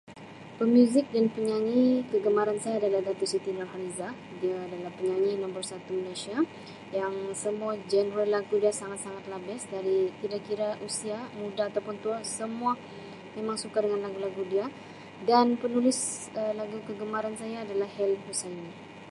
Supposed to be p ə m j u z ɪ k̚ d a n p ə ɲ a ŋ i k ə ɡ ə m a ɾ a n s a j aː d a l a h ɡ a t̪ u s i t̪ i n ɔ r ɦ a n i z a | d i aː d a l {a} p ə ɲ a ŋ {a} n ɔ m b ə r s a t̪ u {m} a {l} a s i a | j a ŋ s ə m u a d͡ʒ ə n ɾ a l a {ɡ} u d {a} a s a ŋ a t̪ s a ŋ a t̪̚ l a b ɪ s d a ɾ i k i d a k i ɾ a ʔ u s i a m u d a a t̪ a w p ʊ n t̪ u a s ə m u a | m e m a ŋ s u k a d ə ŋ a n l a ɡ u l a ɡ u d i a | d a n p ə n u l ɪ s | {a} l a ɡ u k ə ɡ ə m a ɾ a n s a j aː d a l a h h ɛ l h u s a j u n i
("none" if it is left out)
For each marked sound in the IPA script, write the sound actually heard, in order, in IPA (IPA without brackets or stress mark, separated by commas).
a, i, m, l, ɡ, i, ə